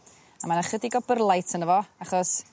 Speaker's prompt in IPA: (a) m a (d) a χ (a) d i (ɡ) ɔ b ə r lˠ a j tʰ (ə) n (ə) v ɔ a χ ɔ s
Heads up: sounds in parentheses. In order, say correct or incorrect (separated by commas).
correct, incorrect, incorrect, correct, correct, correct